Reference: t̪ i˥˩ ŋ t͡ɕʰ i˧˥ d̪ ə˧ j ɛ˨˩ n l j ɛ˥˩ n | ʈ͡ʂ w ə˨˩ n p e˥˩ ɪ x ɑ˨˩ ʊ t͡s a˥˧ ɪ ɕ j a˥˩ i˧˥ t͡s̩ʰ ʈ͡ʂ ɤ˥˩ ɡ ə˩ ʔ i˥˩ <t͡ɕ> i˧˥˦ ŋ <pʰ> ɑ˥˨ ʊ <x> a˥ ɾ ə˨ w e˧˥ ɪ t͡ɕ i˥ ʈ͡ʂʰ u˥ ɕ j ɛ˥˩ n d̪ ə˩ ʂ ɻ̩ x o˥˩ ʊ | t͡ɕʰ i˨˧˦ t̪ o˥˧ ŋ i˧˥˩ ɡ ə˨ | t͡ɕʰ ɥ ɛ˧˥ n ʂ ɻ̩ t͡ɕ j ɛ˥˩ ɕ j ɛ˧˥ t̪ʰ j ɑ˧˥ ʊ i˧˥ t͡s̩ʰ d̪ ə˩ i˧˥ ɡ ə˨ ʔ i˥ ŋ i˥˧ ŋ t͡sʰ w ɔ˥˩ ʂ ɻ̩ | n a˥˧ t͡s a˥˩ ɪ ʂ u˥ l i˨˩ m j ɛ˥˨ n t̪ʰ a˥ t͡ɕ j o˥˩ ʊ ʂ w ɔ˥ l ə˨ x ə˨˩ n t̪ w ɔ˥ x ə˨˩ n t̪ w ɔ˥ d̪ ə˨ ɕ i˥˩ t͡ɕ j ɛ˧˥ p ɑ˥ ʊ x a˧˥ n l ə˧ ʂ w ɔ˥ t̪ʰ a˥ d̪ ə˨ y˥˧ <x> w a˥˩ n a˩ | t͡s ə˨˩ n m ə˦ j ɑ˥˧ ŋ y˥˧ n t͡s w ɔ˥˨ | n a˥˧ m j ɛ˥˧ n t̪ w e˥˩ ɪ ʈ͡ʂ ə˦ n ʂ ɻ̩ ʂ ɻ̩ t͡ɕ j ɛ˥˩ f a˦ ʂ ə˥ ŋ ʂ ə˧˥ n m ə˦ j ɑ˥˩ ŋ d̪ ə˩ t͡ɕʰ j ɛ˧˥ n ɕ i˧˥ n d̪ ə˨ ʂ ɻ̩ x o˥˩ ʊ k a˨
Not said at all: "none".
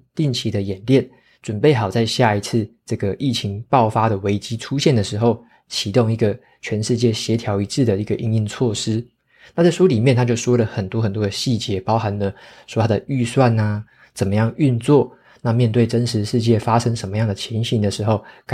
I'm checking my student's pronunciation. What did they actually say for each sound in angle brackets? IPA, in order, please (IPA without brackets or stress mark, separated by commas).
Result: t͡ɕʰ, p, f, s